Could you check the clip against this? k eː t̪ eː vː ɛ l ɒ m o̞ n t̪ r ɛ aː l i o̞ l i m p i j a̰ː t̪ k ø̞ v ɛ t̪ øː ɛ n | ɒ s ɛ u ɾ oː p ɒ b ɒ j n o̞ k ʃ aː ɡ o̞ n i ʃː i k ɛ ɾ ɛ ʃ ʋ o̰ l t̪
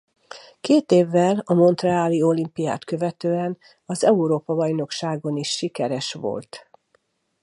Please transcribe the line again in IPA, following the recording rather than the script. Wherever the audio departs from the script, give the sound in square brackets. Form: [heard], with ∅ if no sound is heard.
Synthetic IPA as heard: k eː t̪ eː vː ɛ l ɒ m o̞ n t̪ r ɛ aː l i o̞ l i m p i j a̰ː t̪ k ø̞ v ɛ t̪ øː ɛ n | ɒ [z] ɛ u ɾ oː p ɒ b ɒ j n o̞ k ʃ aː ɡ o̞ n i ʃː i k ɛ ɾ ɛ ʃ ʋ o̰ l t̪